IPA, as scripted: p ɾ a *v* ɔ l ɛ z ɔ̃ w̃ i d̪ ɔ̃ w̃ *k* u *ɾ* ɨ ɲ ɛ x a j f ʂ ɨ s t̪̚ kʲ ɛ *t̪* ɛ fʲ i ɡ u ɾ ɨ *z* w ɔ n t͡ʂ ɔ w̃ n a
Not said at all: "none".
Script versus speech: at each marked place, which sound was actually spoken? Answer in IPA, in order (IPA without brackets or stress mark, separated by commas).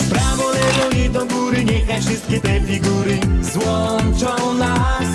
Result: v, ɡ, ɾ, t̪, z